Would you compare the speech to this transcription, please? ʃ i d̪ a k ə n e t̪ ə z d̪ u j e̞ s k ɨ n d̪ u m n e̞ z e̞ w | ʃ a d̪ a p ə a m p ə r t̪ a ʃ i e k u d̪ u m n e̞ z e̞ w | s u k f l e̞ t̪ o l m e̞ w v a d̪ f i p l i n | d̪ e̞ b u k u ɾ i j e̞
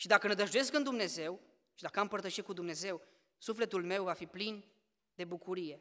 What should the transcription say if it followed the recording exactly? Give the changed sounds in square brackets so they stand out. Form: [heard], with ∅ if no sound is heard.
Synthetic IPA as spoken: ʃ i d̪ a k ə n e [d̪] ə [ʒ] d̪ u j e̞ s k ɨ n d̪ u m n e̞ z e̞ w | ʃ [i] d̪ a [k] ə a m p ə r t̪ [ə] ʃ i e k u d̪ u m n e̞ z e̞ w | s u [∅] f l e̞ t̪ [u] l m e̞ w v a [∅] f i p l i n | d̪ e̞ b u k u ɾ i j e̞